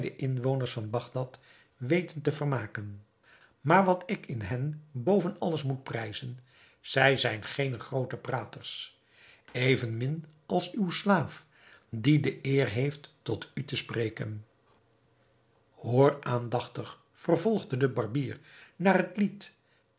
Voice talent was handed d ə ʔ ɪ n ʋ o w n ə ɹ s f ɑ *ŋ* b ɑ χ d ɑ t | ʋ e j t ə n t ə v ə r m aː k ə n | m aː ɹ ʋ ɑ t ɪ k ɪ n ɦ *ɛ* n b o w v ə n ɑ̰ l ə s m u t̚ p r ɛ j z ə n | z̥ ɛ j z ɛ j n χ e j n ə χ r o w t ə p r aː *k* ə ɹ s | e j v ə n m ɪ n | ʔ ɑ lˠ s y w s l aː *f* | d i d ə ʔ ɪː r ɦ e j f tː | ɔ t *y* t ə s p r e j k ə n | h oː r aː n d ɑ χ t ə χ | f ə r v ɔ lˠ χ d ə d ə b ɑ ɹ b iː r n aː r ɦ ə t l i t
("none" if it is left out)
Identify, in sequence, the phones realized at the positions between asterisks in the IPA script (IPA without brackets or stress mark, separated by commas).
n, ɛ, t, f, y